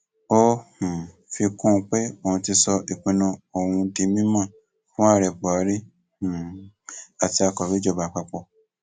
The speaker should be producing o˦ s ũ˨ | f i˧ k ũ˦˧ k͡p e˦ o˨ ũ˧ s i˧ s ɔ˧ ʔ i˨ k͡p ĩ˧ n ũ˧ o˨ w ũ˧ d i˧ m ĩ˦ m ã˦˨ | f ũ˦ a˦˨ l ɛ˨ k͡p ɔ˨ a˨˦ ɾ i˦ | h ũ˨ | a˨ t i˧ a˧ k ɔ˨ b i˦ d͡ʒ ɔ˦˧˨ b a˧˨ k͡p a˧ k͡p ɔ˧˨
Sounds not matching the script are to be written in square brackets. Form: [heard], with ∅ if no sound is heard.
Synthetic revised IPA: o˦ [h] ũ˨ | f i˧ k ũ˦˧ k͡p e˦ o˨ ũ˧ [t] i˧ s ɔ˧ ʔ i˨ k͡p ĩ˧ n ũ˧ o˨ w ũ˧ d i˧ m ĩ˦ m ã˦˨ | f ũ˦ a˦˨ [ɾ] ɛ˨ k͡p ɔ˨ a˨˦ ɾ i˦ | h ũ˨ | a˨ t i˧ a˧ k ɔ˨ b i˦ d͡ʒ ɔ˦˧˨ b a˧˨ k͡p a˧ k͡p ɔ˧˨

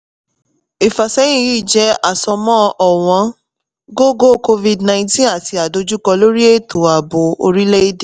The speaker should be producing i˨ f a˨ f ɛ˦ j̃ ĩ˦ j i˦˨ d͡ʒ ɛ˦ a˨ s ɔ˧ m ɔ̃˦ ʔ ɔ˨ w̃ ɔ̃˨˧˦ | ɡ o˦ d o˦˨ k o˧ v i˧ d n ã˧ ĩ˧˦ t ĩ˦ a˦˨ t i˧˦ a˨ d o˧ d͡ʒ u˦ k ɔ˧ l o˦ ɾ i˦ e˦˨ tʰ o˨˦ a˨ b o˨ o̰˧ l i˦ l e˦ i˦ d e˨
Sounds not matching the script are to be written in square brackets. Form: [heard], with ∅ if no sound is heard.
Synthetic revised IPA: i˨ f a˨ [s] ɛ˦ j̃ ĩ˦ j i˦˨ d͡ʒ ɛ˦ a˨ s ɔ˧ m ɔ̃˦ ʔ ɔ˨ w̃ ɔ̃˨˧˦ | ɡ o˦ [ɡ] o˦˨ k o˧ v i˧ d n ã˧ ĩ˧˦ t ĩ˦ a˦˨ t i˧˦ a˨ d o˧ d͡ʒ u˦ k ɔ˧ l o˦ ɾ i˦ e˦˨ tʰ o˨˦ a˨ b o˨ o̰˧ [ɾ] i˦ l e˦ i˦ d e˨

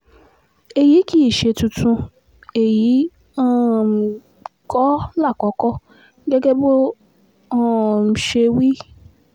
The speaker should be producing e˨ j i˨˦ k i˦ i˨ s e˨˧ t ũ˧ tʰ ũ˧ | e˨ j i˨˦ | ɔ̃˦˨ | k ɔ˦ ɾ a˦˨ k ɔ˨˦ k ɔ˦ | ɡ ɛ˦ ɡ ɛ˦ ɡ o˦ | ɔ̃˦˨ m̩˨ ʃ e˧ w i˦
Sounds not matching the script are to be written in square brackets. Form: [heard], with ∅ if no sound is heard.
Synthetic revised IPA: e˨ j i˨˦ k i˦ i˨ [ʃ] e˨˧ t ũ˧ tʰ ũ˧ | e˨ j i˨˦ | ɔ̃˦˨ | k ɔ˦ [l] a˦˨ k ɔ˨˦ k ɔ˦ | ɡ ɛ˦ ɡ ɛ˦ [b] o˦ | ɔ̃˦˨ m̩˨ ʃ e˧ w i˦

